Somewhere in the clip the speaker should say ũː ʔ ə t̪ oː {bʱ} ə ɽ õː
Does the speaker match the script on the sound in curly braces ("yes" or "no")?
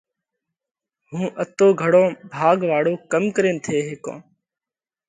no